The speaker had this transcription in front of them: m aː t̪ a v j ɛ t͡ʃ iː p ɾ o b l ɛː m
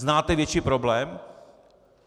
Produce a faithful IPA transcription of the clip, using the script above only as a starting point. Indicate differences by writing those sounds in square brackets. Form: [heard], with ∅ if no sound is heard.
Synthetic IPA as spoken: [n] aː t̪ [ɛ] v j ɛ t͡ʃ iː p ɾ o b l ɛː m